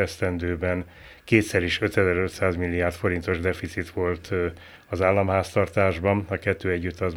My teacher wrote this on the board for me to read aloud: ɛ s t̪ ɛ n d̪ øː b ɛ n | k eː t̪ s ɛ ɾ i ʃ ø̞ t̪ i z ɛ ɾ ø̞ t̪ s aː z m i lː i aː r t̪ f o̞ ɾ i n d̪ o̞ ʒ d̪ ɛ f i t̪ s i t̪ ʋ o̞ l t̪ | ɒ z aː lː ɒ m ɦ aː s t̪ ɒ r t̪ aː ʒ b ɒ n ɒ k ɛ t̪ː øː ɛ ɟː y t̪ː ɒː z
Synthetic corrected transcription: ɛ s t̪ ɛ n d̪ øː b ɛ n | k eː t̪ s ɛ ɾ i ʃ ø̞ t̪ ɛ z ɛ ɾ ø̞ t̪ s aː z m i lː i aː r t̪ f o̞ ɾ i n t̪ o̞ ʒ d̪ ɛ f i t̪ s i t̪ ʋ o̞ l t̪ | ɒ z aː lː ɒ m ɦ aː s t̪ ɒ r t̪ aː ʒ b ɒ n ɒ k ɛ t̪ː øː ɛ ɟː y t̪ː ɒ z